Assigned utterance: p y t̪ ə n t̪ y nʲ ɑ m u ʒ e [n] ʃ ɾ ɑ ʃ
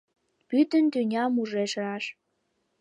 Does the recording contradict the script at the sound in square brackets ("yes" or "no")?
yes